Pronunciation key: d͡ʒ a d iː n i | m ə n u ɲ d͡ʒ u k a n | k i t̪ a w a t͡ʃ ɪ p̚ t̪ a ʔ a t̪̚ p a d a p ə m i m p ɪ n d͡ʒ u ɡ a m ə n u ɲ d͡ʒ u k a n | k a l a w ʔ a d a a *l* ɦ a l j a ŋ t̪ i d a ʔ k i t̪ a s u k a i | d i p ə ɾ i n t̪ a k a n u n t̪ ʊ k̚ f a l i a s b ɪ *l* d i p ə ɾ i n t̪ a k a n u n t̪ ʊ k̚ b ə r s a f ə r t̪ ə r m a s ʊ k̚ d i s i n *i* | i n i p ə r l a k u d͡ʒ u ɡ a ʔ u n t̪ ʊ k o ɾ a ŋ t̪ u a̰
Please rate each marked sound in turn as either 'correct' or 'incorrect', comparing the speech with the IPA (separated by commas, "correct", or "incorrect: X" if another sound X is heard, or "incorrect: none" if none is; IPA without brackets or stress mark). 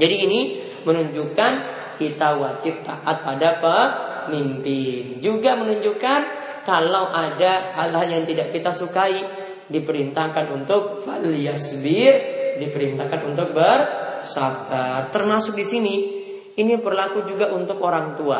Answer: correct, incorrect: r, correct